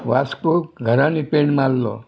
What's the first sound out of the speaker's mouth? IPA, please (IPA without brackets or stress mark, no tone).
ʋ